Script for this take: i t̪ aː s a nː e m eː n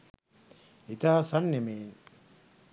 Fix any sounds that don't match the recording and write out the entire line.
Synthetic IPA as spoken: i t̪ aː s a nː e m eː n